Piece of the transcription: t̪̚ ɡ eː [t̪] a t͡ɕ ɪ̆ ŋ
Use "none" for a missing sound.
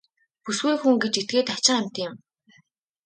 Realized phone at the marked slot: t̪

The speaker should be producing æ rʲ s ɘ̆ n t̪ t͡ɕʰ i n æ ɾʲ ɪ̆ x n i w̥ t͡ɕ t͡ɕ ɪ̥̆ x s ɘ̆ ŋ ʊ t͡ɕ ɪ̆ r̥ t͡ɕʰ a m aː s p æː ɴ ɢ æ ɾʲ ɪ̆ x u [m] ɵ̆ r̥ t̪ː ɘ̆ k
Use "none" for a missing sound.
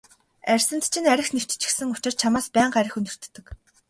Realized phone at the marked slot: n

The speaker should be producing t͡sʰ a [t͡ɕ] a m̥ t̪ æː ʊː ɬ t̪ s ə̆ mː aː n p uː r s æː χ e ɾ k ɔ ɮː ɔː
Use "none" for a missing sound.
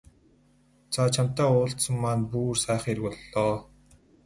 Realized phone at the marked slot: t͡ɕʰ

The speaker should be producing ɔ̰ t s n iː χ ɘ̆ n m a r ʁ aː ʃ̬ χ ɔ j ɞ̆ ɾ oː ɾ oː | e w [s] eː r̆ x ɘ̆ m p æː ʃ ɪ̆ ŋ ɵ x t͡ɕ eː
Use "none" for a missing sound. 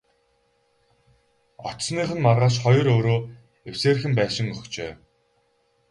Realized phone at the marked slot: s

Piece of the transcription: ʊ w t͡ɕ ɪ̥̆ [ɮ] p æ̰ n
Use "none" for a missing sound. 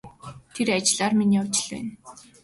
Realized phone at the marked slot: ɮ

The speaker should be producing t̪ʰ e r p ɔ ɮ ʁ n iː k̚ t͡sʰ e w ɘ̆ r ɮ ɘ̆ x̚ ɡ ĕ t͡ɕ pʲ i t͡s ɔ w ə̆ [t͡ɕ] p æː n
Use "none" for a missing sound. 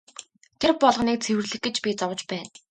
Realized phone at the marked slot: t͡ɕ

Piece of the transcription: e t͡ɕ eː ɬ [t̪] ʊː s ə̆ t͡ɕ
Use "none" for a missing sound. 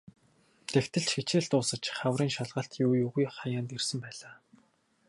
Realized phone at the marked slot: t̪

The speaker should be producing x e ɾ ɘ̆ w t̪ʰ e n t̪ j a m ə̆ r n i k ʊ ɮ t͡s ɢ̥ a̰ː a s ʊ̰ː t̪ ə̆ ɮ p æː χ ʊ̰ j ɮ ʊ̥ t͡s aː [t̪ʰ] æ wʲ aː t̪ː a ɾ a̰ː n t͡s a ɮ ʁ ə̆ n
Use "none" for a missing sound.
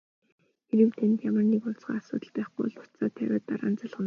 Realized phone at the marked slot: t̪ʰ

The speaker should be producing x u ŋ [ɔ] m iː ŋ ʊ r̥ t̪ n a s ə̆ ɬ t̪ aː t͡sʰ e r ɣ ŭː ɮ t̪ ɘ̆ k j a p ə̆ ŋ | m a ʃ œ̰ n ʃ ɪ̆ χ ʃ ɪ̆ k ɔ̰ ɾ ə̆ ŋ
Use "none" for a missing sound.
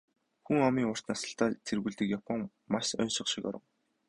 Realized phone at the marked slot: ɔ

